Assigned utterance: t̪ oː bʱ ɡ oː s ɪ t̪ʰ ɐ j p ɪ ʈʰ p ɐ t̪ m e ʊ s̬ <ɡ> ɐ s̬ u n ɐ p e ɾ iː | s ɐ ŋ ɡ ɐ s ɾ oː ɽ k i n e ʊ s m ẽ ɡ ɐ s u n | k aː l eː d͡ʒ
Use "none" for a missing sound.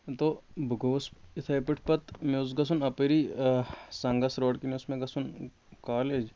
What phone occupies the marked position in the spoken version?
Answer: ɡ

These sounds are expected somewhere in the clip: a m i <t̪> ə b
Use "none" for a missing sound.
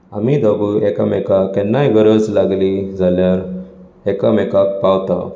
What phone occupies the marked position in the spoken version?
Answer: d̪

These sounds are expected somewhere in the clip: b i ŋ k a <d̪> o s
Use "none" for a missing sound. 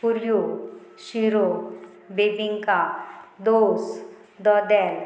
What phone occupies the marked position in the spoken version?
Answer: d̪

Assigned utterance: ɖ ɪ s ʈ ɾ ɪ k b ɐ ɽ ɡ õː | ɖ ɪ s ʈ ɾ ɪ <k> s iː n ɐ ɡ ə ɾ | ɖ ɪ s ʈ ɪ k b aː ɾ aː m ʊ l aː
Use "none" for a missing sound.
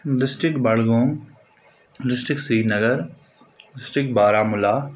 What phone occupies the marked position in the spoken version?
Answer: k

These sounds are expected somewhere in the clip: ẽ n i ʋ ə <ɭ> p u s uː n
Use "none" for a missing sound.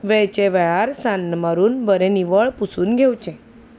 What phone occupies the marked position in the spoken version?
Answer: ɭ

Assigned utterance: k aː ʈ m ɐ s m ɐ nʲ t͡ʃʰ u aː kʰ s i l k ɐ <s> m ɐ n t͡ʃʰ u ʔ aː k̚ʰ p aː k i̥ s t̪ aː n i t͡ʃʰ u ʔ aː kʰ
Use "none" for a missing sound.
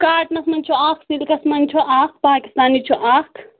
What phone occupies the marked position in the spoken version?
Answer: s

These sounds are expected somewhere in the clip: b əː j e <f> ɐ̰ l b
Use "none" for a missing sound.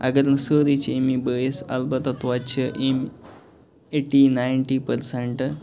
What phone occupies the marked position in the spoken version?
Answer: s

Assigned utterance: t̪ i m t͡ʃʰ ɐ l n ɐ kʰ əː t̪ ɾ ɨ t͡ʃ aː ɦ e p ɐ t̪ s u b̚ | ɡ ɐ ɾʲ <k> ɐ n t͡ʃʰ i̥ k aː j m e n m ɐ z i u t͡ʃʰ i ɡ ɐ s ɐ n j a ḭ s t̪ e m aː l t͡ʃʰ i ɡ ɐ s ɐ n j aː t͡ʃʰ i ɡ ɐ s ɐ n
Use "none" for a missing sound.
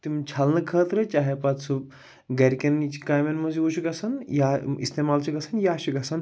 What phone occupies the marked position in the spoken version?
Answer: k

